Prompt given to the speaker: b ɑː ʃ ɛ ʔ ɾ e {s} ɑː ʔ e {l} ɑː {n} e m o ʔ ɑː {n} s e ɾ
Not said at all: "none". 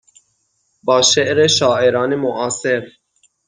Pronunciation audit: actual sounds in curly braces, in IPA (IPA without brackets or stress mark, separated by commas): ʃ, ɾ, n, none